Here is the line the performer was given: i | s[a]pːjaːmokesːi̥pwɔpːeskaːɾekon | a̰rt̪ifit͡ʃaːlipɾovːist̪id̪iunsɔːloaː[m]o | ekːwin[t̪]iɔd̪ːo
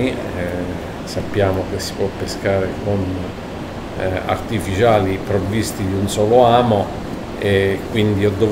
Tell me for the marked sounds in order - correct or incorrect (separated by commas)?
correct, correct, incorrect